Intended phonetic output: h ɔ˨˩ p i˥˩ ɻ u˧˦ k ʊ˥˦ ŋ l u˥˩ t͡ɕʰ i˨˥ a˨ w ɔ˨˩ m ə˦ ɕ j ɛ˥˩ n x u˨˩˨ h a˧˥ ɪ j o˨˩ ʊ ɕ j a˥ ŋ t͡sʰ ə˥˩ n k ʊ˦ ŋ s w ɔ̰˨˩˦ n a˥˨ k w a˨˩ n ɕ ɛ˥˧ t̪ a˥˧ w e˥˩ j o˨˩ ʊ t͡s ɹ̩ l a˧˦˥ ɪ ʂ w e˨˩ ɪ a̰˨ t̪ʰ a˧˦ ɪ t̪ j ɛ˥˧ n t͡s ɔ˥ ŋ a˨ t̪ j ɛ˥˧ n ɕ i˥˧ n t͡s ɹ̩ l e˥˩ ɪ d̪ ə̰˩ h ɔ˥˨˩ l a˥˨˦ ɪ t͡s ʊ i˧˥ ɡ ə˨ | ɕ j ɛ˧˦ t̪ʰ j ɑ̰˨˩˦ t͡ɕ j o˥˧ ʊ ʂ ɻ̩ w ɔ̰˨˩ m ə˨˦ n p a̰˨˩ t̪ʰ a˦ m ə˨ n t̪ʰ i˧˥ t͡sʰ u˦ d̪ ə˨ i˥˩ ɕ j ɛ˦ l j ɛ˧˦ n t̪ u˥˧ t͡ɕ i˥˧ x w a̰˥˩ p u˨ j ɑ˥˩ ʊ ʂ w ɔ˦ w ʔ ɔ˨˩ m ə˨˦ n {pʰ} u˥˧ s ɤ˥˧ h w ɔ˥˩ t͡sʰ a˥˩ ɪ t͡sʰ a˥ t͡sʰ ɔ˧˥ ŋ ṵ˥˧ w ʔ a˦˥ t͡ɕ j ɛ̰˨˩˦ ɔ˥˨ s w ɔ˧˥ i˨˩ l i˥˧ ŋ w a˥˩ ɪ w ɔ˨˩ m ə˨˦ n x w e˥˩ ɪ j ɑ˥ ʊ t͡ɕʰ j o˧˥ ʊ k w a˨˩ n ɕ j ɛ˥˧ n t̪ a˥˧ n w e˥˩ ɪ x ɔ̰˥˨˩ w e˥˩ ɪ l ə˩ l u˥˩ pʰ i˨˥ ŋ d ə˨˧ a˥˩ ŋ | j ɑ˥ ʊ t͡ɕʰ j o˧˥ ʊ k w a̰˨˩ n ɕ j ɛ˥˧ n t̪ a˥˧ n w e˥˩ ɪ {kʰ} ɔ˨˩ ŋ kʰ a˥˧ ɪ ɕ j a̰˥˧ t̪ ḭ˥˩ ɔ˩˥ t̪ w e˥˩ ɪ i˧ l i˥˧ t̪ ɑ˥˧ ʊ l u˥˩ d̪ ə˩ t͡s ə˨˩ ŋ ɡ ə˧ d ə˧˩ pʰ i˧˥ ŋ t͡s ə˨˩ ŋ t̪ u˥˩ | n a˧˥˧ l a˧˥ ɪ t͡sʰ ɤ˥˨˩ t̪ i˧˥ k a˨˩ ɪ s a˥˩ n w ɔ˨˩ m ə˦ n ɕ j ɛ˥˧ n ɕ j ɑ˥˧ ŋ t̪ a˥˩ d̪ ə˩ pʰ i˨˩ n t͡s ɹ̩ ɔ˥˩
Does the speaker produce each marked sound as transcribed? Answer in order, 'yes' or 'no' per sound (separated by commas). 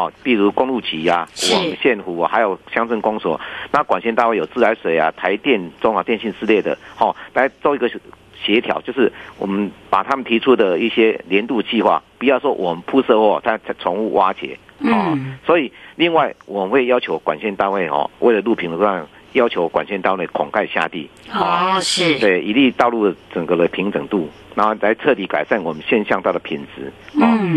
yes, yes